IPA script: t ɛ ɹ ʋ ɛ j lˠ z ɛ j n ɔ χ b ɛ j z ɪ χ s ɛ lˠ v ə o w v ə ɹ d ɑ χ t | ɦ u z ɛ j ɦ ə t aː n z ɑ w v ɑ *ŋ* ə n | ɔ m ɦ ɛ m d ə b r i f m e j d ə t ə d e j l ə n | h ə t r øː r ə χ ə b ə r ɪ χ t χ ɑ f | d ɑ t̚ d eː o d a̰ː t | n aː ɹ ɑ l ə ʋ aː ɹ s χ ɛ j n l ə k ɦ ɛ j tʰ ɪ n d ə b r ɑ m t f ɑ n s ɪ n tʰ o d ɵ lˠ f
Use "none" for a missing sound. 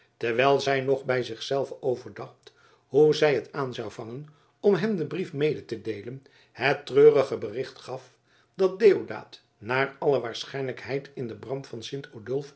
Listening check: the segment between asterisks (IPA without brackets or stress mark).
ŋ